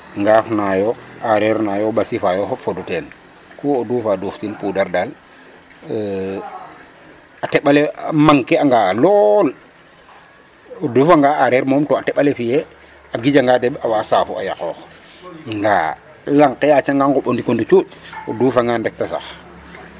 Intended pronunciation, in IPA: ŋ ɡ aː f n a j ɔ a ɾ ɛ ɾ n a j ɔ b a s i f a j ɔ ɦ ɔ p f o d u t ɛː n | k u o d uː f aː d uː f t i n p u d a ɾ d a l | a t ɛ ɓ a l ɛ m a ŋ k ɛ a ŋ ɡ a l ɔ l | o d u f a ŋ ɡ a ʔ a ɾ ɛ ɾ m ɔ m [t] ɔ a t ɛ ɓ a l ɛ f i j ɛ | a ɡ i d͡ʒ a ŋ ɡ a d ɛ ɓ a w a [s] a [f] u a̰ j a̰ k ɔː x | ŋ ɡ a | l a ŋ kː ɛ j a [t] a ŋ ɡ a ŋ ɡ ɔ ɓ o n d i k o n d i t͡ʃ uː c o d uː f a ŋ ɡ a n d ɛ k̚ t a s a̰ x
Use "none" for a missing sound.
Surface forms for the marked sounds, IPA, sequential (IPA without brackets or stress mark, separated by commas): t, s, f, t͡ʃ